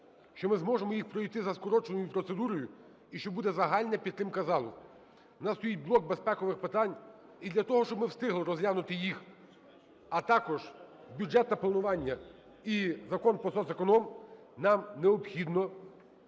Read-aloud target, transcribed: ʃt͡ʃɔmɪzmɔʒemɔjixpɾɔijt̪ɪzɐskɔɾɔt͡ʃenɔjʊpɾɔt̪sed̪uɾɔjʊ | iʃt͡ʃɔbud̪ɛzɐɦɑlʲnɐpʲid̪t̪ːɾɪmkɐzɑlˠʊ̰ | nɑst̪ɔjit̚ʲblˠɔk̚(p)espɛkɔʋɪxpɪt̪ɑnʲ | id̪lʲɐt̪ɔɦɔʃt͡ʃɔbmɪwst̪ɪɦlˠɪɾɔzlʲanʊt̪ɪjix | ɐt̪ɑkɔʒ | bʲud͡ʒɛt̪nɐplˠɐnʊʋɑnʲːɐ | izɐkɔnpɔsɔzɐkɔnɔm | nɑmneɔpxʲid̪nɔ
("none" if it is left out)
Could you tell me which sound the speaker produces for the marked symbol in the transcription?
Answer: b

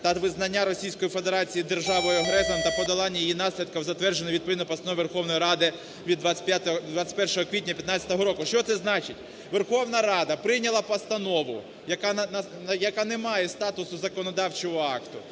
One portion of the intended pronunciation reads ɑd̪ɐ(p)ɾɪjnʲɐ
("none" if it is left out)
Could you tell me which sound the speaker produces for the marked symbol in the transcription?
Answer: p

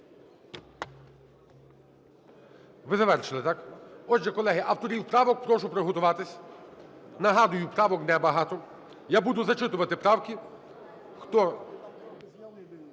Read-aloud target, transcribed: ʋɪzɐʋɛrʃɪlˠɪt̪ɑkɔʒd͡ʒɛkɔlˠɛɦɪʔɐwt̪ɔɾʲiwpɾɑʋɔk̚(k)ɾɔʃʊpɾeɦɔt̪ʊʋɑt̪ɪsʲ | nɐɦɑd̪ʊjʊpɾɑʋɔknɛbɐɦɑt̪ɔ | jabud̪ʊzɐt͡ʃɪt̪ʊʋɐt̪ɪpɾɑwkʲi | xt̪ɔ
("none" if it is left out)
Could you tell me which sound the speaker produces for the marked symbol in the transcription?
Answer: p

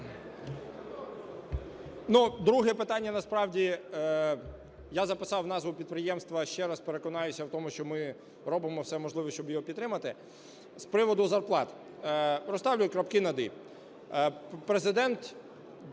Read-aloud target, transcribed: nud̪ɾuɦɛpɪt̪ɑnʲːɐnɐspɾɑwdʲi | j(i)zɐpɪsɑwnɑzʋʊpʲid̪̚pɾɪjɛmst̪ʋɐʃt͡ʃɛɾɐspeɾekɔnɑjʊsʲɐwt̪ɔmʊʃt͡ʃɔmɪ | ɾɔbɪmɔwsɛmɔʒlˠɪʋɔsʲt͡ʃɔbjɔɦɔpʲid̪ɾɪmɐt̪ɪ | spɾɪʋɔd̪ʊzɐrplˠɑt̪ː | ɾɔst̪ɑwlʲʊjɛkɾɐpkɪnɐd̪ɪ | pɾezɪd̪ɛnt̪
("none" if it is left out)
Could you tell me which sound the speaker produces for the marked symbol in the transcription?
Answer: a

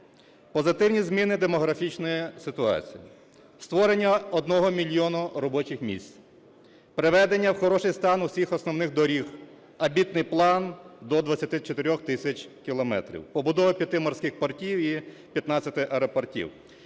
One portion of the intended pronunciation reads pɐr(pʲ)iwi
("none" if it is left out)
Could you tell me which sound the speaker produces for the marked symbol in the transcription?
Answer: tʲ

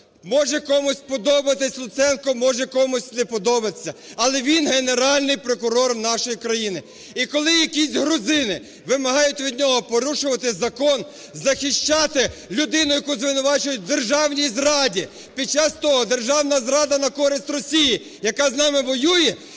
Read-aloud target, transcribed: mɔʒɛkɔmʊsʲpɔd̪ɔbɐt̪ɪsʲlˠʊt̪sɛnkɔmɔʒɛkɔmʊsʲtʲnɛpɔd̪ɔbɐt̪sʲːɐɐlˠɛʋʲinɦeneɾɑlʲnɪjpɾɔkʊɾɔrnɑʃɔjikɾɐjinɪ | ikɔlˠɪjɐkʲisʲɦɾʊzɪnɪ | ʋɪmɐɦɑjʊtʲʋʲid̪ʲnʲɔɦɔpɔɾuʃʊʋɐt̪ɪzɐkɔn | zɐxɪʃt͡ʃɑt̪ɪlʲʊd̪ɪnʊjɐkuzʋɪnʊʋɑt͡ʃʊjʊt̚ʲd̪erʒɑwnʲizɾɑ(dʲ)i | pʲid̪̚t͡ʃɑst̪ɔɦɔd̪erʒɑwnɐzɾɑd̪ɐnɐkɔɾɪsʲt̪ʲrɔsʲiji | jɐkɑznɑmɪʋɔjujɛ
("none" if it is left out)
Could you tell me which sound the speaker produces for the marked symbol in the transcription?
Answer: dʲ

